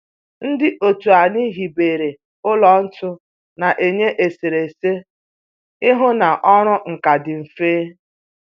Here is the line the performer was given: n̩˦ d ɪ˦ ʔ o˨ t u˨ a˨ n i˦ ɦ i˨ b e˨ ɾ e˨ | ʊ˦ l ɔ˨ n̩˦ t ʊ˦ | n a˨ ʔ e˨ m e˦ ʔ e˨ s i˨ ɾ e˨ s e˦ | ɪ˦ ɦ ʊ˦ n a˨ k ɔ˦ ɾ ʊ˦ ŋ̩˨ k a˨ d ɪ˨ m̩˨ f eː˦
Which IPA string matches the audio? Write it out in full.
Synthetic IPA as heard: n̩˦ d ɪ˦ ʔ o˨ t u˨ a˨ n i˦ ɦ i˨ b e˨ ɾ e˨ | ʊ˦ l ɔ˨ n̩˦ t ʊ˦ | n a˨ ʔ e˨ ɲ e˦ ʔ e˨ s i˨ ɾ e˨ s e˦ | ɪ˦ ɦ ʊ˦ n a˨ ʔ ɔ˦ ɾ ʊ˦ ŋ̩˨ k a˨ d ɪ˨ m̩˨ f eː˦